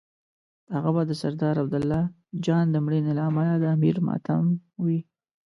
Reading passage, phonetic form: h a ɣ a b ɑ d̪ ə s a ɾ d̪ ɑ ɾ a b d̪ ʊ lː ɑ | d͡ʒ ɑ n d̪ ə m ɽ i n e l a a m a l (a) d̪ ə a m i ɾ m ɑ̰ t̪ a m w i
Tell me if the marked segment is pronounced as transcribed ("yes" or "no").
yes